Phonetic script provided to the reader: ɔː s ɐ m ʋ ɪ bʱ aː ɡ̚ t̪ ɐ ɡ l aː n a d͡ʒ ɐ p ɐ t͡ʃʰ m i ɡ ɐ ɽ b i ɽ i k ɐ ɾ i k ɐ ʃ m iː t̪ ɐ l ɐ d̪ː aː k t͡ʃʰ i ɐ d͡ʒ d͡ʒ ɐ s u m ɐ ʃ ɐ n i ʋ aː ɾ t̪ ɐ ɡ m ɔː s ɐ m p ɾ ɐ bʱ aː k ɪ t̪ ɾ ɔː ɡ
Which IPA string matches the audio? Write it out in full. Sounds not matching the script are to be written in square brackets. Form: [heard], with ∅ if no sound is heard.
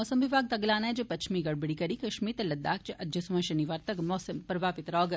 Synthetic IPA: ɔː s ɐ m ʋ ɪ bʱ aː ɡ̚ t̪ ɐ ɡ l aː n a d͡ʒ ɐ p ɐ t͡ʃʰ m i ɡ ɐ ɽ b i ɽ i k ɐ ɾ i k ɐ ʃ m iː t̪ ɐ l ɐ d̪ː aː k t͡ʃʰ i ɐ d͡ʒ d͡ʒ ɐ s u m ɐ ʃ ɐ n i ʋ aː ɾ t̪ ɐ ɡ m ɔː s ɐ m p ɾ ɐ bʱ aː [p] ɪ t̪ ɾ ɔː ɡ